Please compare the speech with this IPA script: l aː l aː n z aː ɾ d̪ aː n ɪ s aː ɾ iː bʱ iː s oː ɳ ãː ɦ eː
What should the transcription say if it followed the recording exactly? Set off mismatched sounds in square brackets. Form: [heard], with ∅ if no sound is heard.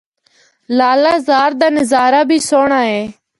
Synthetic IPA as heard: l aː l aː [∅] z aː ɾ d̪ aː n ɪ [z] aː ɾ [aː] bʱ iː s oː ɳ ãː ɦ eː